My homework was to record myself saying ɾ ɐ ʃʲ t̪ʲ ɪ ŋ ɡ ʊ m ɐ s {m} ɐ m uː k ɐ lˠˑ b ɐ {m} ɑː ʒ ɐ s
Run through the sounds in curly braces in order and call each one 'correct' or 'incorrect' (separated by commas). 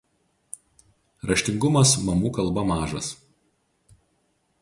correct, correct